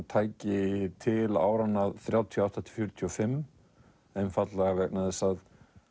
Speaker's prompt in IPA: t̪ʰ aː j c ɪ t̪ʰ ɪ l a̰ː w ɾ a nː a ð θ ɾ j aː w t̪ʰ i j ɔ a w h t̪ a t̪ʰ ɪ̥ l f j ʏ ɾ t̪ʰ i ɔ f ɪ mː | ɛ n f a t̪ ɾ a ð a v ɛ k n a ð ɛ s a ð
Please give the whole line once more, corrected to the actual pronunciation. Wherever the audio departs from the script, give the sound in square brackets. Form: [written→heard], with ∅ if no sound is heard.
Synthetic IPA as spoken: t̪ʰ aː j c ɪ t̪ʰ ɪ l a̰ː w ɾ a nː a ð θ ɾ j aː w t̪ʰ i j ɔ a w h t̪ a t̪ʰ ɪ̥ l f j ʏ ɾ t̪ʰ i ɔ f ɪ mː | ɛ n f a t̪ [ɾ→l] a [ð→ɣ] a v ɛ k n a ð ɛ s a ð